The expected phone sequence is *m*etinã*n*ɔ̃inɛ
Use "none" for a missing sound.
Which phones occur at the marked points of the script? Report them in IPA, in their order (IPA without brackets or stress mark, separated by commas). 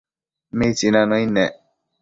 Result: m, n